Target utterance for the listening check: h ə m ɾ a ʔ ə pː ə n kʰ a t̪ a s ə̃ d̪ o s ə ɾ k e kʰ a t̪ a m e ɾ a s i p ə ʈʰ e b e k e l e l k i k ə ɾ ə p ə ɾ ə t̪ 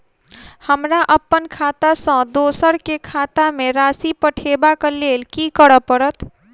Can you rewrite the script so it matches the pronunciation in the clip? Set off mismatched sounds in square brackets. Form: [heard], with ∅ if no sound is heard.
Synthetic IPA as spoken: h ə m ɾ a ʔ ə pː ə n kʰ a t̪ a s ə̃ d̪ o s ə ɾ k e kʰ a t̪ a m e ɾ a s i p ə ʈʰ e b [a] k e l e l k i k ə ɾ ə p ə ɾ ə t̪